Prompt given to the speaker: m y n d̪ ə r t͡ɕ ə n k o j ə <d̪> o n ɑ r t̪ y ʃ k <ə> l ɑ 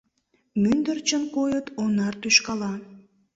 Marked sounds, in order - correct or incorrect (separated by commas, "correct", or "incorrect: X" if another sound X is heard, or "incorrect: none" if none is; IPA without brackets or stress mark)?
incorrect: t̪, incorrect: ɑ